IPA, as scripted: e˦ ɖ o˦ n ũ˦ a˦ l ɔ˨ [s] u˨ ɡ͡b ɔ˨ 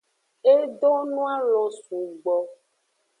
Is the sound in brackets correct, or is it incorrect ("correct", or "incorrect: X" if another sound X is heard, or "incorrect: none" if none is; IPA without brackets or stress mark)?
correct